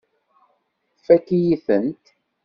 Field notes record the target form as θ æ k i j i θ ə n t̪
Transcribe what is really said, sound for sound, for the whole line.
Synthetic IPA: f æ k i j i θ ə n t̪